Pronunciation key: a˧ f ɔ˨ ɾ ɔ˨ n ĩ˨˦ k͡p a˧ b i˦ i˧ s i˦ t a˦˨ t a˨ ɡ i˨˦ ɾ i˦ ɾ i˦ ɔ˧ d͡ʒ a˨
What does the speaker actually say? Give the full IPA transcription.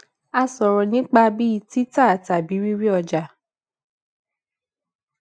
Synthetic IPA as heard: a˧ s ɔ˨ ɾ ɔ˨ n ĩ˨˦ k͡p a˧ b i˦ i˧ t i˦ t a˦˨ t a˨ b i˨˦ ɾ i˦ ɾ i˦ ɔ˧ d͡ʒ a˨